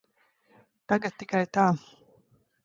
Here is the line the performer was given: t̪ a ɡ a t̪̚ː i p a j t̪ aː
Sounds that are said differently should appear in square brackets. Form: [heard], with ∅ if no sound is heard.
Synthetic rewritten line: t̪ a ɡ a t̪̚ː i [k] a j t̪ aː